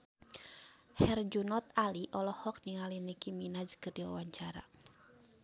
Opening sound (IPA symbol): h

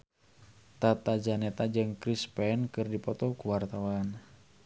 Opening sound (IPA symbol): t̪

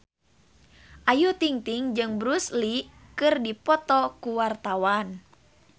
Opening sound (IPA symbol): ʔ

